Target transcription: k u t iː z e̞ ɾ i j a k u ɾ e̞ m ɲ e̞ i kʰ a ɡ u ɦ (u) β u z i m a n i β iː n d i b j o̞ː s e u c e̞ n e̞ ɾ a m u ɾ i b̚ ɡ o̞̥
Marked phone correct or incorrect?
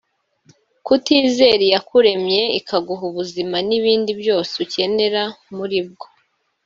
correct